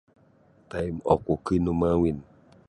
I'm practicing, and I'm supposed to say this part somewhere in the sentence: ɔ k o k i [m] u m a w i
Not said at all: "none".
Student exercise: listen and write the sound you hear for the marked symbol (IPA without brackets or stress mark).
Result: n